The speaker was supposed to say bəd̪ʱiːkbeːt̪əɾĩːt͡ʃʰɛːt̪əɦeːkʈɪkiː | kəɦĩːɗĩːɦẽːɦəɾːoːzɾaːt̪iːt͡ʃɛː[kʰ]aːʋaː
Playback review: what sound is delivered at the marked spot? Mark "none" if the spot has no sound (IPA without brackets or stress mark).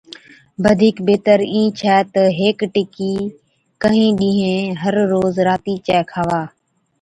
kʰ